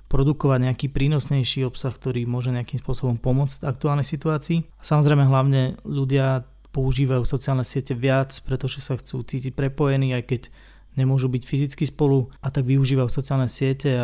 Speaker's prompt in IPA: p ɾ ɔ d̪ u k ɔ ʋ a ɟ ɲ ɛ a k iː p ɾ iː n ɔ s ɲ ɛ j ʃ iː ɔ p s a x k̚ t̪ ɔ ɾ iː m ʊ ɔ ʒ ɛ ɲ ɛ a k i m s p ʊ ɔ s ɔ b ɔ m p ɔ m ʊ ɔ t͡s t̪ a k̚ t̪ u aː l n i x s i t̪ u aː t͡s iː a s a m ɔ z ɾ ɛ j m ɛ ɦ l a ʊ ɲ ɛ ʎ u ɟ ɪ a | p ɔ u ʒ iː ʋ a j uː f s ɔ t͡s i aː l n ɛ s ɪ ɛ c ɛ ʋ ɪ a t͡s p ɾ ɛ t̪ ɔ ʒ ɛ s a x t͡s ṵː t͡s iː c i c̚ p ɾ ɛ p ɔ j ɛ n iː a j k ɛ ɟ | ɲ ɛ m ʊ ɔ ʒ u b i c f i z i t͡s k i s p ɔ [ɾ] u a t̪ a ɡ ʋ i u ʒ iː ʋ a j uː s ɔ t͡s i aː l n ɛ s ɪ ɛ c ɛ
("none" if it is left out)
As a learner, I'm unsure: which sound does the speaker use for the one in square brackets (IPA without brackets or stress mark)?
l